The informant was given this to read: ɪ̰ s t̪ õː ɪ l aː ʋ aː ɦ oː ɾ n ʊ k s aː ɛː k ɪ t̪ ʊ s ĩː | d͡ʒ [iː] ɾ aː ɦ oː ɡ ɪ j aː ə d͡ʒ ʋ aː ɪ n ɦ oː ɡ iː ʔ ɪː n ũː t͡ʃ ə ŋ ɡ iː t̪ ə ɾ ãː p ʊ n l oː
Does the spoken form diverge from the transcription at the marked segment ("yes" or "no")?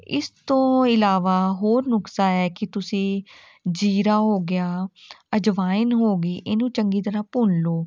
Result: no